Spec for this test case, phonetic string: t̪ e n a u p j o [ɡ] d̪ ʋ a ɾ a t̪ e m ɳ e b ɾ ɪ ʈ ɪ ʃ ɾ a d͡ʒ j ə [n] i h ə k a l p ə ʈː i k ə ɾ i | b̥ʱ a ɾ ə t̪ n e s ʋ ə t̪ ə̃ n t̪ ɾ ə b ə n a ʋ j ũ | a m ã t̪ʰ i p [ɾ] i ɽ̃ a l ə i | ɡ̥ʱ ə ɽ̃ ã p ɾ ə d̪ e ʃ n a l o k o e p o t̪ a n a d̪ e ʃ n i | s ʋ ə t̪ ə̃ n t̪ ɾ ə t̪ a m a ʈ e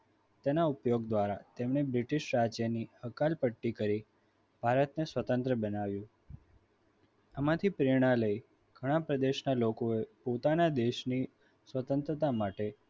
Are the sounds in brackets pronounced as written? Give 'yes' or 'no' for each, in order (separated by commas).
yes, yes, yes